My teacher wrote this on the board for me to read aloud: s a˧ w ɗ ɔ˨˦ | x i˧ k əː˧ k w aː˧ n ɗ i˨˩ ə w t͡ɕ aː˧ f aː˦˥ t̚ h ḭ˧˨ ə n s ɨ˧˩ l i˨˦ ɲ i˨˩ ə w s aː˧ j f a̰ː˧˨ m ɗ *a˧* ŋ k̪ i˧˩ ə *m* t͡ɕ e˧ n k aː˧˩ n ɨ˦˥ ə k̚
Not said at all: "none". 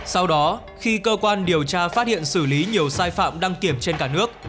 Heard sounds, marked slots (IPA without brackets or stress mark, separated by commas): a˧, m